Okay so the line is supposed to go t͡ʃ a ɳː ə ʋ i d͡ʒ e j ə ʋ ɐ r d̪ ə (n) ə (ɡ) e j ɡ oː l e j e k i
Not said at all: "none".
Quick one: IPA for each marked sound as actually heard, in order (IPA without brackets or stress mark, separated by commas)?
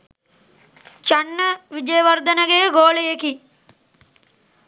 n, ɡ